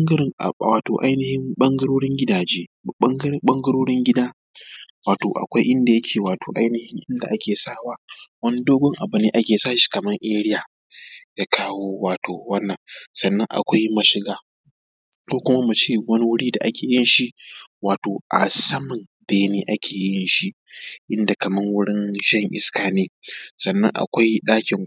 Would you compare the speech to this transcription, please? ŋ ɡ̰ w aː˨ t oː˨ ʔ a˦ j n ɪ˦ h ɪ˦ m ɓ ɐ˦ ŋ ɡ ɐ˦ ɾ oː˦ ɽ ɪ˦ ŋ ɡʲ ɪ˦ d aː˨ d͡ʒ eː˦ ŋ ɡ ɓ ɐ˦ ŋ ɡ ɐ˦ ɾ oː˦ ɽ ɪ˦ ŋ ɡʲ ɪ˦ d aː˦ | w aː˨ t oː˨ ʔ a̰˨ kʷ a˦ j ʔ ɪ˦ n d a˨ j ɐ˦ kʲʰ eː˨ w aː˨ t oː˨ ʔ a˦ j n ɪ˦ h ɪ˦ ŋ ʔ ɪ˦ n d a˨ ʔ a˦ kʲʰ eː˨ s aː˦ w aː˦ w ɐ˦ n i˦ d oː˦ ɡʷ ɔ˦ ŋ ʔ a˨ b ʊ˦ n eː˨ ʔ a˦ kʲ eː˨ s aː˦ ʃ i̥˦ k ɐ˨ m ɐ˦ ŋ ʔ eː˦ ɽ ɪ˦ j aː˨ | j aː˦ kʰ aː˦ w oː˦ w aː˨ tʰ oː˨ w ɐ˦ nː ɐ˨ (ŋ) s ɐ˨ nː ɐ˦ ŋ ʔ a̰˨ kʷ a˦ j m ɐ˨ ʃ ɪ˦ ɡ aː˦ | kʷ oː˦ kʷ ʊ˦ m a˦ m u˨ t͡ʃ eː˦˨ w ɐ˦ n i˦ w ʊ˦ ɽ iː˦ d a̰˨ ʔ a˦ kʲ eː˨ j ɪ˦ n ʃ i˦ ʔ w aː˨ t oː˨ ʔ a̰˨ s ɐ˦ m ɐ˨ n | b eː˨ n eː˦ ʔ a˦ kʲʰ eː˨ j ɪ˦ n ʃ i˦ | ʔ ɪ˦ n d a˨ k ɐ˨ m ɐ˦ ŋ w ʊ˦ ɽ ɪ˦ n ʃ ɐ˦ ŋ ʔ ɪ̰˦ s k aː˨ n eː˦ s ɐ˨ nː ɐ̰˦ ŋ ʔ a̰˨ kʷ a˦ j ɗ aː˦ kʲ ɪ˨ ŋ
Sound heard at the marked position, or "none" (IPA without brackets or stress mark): ŋ